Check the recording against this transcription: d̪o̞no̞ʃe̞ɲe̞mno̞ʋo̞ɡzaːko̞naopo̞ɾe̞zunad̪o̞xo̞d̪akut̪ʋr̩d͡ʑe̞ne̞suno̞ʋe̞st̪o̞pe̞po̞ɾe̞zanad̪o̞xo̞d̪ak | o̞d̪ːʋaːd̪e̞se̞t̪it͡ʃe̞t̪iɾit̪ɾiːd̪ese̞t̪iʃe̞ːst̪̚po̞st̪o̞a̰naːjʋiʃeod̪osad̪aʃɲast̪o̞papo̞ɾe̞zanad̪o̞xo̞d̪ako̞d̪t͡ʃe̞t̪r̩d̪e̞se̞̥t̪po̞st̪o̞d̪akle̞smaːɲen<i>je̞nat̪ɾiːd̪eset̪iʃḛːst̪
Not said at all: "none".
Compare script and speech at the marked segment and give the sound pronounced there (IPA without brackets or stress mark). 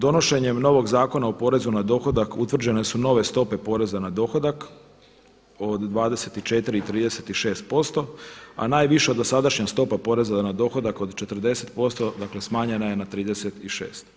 a